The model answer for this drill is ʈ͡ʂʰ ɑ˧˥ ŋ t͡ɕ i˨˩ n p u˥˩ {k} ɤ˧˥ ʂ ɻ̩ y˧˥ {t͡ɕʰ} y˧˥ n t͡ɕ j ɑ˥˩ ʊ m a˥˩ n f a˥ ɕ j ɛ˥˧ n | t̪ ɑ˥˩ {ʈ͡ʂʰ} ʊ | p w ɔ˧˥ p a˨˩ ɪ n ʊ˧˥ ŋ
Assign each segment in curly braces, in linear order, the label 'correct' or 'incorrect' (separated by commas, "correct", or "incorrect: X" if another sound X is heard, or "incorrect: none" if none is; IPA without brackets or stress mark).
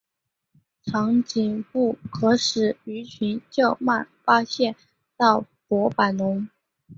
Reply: incorrect: kʰ, correct, incorrect: none